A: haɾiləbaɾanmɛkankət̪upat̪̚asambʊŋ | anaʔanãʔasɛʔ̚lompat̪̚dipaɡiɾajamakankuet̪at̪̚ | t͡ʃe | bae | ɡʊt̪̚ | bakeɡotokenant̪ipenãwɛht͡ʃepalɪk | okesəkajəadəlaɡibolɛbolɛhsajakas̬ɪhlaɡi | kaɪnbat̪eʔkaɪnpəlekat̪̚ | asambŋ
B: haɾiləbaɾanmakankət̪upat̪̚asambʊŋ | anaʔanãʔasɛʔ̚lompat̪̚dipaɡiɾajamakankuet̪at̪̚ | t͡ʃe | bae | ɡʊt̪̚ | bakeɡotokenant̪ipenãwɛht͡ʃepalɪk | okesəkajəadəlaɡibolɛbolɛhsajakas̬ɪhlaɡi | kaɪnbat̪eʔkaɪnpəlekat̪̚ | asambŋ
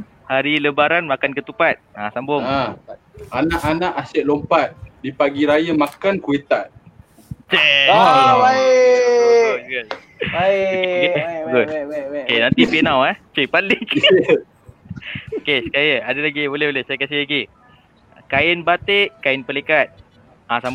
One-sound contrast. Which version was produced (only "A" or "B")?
B